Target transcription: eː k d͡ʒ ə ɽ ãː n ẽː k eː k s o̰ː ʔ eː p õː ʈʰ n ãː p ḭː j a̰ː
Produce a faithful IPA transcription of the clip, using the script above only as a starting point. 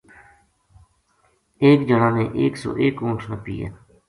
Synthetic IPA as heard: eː k d͡ʒ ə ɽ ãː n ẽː ʔ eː k s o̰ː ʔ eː k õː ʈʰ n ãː p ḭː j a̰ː

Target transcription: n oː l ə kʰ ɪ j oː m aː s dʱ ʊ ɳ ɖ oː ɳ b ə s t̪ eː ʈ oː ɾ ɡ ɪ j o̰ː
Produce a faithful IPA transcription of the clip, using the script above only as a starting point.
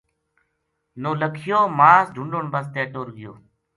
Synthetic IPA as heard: n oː l ə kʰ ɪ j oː m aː s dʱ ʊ ɳ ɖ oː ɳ b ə s t̪ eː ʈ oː ɾ ɡ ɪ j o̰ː

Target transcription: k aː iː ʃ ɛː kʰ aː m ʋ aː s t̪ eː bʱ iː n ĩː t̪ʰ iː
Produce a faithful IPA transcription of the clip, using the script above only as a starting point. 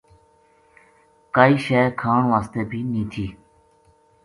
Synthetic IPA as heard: k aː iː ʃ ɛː kʰ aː ɳ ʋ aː s t̪ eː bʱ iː n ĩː t̪ʰ iː

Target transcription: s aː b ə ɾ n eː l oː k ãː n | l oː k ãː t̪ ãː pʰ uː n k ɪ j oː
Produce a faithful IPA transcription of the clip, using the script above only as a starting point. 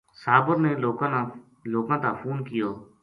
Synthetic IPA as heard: s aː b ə ɾ n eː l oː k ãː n | l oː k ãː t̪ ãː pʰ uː n k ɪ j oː

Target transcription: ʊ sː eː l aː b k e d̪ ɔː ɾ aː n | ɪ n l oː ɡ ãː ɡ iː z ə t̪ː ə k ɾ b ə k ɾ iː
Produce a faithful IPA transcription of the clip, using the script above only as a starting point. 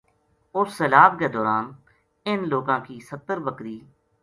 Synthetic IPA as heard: ʊ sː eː l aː b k e d̪ ɔː ɾ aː n | ɪ n l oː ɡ ãː k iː s ə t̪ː ə ɾ b ə k ɾ iː

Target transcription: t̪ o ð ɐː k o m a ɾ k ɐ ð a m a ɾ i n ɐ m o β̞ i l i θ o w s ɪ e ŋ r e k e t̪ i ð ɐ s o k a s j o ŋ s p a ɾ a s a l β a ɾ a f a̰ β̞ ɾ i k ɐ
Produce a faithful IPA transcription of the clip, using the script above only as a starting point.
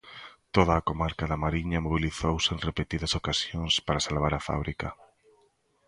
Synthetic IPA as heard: t̪ o ð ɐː k o m a ɾ k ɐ ð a m a ɾ i ɲ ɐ m o β̞ i l i θ o w s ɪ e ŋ r e p e t̪ i ð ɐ s o k a s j o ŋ s p a ɾ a s a l β a ɾ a f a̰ β̞ ɾ i k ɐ

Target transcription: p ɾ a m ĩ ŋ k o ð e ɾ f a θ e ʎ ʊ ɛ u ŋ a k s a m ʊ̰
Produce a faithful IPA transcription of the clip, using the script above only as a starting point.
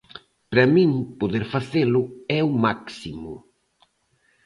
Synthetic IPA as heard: p ɾ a m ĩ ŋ p o ð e ɾ f a θ e l ʊ ɛ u m a k s i m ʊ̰

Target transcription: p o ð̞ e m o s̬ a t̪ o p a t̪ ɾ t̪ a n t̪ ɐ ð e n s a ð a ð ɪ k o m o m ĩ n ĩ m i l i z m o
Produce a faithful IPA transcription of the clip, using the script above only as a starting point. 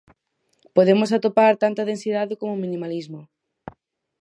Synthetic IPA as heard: p o ð̞ e m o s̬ a t̪ o p a ɾ t̪ a n t̪ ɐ ð e n s i ð a ð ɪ k o m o m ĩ n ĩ m a l i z m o

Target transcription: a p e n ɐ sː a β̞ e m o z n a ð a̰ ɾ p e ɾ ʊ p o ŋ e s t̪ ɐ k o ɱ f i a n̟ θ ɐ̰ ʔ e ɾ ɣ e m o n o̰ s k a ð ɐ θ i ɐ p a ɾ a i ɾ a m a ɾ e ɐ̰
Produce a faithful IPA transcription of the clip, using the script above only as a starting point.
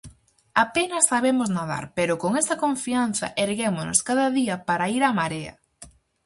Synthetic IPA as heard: a p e n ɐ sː a β̞ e m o z n a ð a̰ ɾ p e ɾ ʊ k o ŋ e s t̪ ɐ k o ɱ f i a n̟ θ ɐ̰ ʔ e ɾ ɣ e m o n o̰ s k a ð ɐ ð i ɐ p a ɾ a i ɾ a m a ɾ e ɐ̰

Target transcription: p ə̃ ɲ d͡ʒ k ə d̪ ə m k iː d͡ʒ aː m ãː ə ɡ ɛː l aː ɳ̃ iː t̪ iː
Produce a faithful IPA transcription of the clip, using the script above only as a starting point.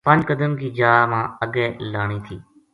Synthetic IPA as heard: p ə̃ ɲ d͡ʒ k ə d̪ ə m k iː d͡ʒ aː m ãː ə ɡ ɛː l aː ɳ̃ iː t̪ʰ iː

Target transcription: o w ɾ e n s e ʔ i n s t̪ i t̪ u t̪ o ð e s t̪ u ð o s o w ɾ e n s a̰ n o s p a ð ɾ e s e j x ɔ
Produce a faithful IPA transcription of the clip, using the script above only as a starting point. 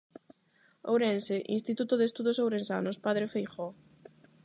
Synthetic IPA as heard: o w ɾ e n s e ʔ i n s t̪ i t̪ u t̪ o ð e s t̪ u ð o s o w ɾ e n s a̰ n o s p a ð ɾ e f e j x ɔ

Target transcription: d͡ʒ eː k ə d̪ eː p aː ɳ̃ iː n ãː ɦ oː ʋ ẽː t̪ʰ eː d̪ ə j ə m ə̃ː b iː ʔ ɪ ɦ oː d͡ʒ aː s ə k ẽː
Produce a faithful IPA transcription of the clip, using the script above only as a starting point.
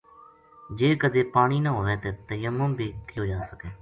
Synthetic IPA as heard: d͡ʒ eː k ə d̪ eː p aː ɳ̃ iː n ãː ɦ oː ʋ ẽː t̪ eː t̪ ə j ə m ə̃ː b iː k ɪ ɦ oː d͡ʒ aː s ə k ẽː

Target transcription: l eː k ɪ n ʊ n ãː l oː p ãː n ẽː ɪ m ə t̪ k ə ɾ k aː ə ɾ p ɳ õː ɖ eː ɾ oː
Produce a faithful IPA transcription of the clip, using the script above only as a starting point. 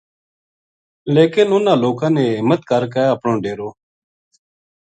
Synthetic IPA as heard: l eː k ɪ n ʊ n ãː l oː k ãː n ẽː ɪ m ə t̪ k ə ɾ k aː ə p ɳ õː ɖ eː ɾ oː

